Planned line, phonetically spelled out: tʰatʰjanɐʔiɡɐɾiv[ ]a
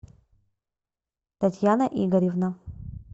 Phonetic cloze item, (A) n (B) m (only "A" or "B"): A